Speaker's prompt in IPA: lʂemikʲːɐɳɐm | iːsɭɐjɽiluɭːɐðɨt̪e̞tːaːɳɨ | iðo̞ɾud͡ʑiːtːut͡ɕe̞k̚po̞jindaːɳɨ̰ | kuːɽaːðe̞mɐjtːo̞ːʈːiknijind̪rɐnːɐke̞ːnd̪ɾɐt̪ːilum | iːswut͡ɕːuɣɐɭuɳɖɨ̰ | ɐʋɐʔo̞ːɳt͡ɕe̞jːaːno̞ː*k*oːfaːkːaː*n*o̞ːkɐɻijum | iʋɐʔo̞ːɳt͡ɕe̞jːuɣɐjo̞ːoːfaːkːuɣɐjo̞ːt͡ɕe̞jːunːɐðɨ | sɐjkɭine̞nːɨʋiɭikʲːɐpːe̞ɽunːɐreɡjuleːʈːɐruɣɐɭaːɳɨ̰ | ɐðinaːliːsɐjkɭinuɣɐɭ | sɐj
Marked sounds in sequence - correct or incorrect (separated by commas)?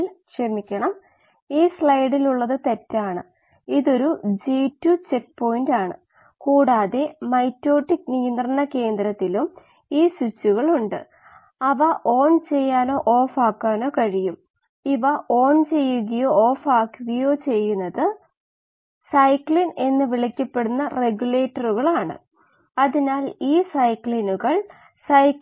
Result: incorrect, correct